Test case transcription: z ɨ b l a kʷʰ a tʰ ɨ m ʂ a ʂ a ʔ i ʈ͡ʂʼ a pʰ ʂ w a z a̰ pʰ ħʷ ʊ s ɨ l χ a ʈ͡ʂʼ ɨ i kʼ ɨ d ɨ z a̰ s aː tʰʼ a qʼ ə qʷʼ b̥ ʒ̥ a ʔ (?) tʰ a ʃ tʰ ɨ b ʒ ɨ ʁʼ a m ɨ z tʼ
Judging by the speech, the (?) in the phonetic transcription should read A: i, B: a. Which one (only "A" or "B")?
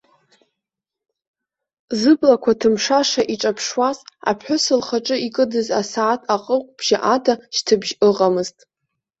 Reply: B